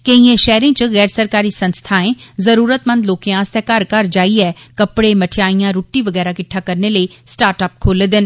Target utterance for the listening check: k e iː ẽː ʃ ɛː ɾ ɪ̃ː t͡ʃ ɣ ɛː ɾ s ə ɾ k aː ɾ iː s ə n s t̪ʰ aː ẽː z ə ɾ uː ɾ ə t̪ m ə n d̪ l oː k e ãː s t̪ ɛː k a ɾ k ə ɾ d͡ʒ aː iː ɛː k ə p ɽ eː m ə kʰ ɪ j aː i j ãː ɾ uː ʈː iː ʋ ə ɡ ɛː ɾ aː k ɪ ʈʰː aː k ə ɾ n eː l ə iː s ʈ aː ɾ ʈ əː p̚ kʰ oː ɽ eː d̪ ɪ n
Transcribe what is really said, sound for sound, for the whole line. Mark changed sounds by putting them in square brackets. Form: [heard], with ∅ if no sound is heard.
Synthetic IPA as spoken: k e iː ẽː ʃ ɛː ɾ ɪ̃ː t͡ʃ ɣ ɛː ɾ s ə ɾ k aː ɾ iː s ə n s t̪ʰ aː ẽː z ə ɾ uː ɾ ə t̪ m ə n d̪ l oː k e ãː s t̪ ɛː k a ɾ k ə ɾ d͡ʒ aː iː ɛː k ə p ɽ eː m ə [ʈʰ] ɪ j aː i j ãː ɾ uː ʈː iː ʋ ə ɡ ɛː ɾ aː k ɪ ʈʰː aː k ə ɾ n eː l ə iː s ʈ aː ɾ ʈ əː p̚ kʰ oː [l] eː d̪ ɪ n

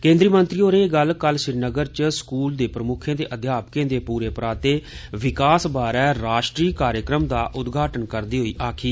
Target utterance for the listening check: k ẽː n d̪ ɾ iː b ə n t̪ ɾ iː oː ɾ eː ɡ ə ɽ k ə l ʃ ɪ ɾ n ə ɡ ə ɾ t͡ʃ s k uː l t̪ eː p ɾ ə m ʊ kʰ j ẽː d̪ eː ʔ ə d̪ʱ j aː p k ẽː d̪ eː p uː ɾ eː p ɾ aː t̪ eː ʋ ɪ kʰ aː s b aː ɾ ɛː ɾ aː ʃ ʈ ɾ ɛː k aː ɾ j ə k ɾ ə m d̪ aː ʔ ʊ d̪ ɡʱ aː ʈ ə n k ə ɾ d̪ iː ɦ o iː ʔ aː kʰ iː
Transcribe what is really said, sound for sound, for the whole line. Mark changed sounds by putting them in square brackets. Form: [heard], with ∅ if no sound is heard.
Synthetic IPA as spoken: k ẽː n d̪ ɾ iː [m] ə n t̪ ɾ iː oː ɾ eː ɡ ə [l] k ə l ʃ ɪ ɾ n ə ɡ ə ɾ t͡ʃ s k uː l [d̪] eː p ɾ ə m ʊ kʰ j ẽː d̪ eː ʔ ə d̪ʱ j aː p k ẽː d̪ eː p uː ɾ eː p ɾ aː t̪ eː ʋ ɪ [k] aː s b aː ɾ ɛː ɾ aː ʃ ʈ ɾ [iː] k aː ɾ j ə k ɾ ə m d̪ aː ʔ ʊ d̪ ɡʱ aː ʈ ə n k ə ɾ d̪ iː ɦ o iː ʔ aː kʰ iː

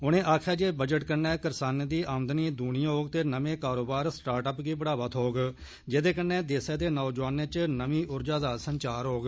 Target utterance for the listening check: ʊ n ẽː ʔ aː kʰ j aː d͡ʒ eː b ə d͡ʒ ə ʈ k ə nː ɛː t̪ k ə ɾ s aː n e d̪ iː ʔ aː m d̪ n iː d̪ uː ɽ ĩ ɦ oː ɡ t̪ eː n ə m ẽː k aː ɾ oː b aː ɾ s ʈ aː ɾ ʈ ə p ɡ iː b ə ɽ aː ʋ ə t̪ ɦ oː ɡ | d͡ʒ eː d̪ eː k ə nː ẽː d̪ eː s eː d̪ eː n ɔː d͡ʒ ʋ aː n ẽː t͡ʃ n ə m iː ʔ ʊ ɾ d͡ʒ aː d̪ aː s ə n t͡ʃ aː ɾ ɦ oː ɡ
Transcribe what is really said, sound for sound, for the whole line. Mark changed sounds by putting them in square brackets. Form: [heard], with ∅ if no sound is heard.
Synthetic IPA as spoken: ʊ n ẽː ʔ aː kʰ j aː d͡ʒ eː b ə d͡ʒ ə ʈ k ə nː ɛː [∅] k ə ɾ s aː n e d̪ iː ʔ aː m d̪ n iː d̪ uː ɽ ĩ ɦ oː ɡ t̪ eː n ə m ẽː k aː ɾ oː b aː ɾ s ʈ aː ɾ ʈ ə p ɡ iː b ə ɽ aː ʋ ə t̪ ɦ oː ɡ | d͡ʒ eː d̪ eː k ə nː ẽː d̪ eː s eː d̪ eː n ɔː d͡ʒ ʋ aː n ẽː t͡ʃ n ə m iː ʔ ʊ ɾ d͡ʒ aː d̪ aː s ə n t͡ʃ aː ɾ ɦ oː ɡ

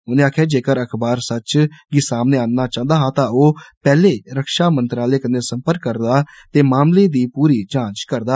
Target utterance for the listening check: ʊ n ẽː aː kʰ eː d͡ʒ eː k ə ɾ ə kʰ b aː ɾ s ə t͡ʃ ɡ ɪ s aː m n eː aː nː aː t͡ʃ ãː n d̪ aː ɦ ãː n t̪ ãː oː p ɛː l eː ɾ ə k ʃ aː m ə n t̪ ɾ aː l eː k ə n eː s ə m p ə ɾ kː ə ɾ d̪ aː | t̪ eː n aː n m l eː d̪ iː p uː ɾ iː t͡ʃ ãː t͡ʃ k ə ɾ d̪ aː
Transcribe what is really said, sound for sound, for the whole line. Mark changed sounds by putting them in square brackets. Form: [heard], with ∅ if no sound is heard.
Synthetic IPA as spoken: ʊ n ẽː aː kʰ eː d͡ʒ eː k ə ɾ ə kʰ b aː ɾ s ə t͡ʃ ɡ ɪ s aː m n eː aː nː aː t͡ʃ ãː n d̪ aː ɦ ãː [∅] t̪ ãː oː p ɛː l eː ɾ ə k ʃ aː m ə n t̪ ɾ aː l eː k ə n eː s ə m p ə ɾ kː ə ɾ d̪ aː | t̪ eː [m] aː [∅] m l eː d̪ iː p uː ɾ iː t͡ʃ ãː t͡ʃ k ə ɾ d̪ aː

